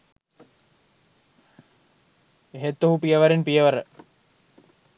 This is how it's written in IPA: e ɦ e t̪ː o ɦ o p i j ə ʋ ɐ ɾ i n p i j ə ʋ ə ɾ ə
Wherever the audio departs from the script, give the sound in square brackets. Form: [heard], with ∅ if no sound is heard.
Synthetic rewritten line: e ɦ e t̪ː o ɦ [u] p i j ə ʋ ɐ ɾ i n p i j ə ʋ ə ɾ ə